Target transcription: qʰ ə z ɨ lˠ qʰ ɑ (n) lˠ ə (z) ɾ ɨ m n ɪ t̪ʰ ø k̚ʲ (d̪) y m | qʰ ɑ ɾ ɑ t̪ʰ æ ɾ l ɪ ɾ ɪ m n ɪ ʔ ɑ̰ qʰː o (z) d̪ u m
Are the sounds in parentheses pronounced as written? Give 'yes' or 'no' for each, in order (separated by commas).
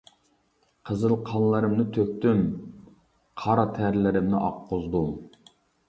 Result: yes, no, no, yes